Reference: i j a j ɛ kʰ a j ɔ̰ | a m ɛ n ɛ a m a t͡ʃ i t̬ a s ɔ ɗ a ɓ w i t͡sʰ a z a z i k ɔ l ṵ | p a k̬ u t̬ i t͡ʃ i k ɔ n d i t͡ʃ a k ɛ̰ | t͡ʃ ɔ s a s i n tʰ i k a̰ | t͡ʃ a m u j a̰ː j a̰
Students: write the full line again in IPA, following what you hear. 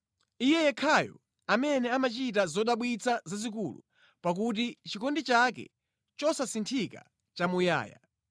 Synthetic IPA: i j ɛ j ɛ kʰ a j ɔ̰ | a m ɛ n ɛ a m a t͡ʃ i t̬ a z ɔ ɗ a ɓ w i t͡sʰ a z a z i k u l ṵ | p a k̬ u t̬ i t͡ʃ i k ɔ n d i t͡ʃ a k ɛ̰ | t͡ʃ ɔ s a s i n tʰ i k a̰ | t͡ʃ a m u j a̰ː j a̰